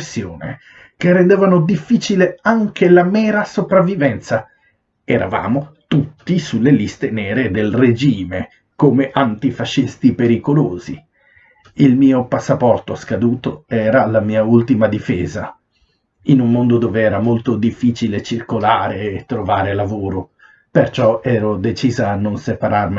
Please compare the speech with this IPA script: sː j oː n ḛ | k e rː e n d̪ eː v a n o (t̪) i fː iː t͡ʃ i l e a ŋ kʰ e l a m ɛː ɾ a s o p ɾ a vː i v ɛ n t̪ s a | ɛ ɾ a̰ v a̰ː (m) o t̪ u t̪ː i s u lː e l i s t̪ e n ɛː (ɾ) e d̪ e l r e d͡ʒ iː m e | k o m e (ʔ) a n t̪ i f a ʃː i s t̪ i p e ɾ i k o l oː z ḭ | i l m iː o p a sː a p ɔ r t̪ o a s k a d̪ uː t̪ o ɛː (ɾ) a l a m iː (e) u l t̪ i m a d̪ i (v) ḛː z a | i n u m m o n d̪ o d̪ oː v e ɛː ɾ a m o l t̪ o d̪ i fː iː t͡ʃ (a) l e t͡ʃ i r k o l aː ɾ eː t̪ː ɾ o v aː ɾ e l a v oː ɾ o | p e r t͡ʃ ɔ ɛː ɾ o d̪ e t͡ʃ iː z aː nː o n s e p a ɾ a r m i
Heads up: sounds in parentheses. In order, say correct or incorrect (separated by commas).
incorrect, correct, correct, correct, correct, incorrect, incorrect, incorrect